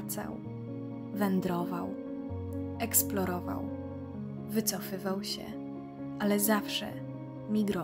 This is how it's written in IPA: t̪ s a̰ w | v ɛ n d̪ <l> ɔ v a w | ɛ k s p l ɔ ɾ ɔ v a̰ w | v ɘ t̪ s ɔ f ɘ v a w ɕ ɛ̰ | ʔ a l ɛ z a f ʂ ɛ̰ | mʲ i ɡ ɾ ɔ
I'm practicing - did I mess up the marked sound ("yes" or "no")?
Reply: yes